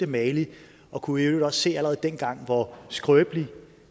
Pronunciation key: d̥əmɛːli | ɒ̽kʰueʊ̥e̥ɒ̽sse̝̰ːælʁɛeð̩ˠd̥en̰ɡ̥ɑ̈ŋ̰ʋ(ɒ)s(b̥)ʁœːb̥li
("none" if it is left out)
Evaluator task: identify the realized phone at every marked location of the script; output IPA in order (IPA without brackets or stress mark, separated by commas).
ɒ, ɡ̥